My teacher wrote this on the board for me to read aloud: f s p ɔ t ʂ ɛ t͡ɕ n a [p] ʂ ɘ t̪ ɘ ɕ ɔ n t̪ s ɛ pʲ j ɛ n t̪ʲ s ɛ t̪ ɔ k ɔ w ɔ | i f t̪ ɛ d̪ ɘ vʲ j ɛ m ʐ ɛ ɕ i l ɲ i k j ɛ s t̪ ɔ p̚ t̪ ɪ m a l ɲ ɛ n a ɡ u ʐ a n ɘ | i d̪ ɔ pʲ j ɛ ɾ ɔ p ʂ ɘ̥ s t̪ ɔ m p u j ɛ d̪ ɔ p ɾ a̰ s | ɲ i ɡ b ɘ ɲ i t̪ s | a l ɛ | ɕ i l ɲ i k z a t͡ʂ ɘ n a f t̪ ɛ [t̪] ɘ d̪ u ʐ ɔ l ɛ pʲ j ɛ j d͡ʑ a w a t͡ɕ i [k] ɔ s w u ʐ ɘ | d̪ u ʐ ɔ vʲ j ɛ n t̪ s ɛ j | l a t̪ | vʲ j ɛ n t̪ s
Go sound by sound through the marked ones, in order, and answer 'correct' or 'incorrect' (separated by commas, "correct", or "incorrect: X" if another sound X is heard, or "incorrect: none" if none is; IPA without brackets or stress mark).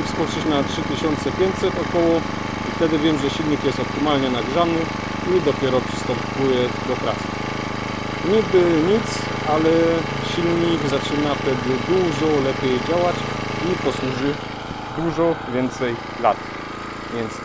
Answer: incorrect: t, incorrect: d̪, incorrect: p